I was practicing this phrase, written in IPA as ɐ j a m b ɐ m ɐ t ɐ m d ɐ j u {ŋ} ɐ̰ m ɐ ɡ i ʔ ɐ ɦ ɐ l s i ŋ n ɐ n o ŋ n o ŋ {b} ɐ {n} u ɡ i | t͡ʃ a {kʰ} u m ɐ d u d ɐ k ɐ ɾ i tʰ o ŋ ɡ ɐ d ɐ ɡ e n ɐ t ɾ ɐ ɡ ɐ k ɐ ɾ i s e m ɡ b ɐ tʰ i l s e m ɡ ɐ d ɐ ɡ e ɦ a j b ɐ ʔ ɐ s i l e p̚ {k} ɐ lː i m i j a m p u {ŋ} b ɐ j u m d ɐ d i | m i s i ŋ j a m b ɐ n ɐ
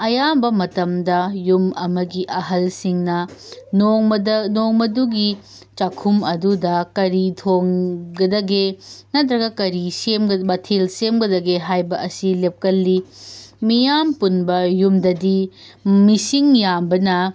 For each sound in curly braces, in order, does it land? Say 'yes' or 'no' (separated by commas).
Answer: no, no, no, yes, yes, no